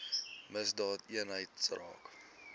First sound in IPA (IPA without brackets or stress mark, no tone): m